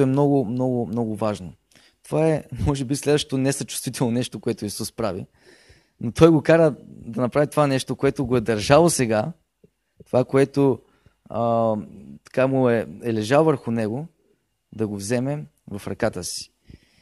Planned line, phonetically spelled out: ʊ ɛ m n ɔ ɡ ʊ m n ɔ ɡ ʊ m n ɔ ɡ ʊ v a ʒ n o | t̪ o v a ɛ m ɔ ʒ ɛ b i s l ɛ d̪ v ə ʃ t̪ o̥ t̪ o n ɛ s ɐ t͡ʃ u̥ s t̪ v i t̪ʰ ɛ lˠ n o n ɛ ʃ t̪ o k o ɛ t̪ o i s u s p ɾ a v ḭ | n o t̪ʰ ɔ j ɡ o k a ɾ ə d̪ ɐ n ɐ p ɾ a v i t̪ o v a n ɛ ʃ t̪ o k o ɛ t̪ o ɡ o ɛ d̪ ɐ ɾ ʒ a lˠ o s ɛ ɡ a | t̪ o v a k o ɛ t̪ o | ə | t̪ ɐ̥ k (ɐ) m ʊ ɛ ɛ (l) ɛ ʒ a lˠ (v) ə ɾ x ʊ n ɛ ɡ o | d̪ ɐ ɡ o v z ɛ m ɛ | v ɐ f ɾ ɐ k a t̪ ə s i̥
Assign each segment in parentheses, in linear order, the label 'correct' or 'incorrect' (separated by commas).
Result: incorrect, correct, correct